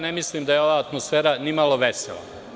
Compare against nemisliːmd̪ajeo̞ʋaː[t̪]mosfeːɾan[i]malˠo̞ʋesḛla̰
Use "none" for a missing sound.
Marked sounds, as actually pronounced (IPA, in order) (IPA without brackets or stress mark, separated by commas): t̪, i